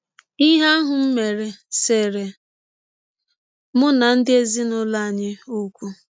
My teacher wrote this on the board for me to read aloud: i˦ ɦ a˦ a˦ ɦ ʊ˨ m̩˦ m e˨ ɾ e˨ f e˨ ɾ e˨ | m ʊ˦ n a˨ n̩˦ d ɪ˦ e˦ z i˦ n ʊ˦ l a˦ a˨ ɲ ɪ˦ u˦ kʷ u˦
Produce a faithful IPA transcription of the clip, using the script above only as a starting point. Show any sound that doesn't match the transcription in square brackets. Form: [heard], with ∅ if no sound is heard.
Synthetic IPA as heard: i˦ ɦ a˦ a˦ ɦ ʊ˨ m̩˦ m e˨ ɾ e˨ [s] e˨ ɾ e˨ | m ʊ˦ n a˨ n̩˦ d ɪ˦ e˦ z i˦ n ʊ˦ l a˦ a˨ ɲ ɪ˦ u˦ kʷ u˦